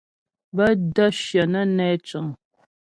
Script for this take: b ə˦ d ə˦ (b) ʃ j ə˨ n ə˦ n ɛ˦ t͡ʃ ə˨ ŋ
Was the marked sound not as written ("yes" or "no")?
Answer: yes